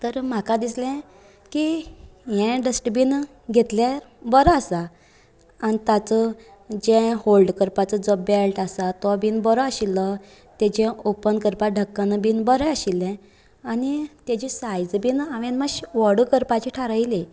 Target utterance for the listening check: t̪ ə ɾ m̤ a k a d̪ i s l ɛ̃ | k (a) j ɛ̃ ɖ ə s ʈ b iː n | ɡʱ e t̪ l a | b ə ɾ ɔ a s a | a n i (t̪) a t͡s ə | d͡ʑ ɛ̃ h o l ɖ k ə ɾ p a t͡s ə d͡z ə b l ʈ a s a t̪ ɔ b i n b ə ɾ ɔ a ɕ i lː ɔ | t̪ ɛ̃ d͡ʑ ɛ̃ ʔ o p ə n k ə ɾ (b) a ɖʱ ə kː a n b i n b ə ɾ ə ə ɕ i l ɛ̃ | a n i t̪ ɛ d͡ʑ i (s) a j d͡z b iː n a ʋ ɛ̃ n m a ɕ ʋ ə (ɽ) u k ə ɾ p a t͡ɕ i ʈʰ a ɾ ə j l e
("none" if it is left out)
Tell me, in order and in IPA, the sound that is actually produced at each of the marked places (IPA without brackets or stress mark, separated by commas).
i, t̪, p, s, ɽ